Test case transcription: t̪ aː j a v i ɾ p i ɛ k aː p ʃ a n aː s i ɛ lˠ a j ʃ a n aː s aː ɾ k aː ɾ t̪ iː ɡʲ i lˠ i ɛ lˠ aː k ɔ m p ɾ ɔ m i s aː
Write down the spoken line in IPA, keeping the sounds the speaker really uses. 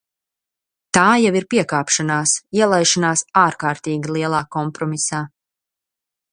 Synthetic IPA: t̪ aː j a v i ɾ p i ɛ k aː p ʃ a n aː s i ɛ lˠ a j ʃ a n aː s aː ɾ k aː ɾ t̪ iː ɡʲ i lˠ i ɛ lˠ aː k ɔ m p ɾ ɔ m i s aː